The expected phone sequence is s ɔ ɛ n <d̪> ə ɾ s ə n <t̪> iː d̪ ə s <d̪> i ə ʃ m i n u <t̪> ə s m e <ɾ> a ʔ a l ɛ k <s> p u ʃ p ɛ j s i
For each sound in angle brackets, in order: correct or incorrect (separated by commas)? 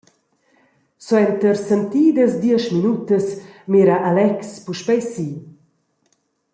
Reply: incorrect, correct, correct, correct, correct, correct